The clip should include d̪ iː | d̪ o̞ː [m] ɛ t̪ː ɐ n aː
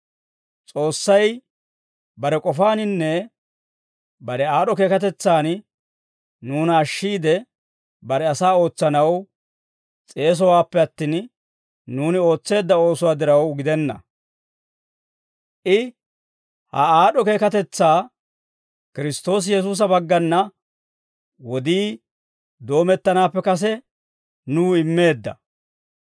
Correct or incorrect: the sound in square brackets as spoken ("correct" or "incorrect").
correct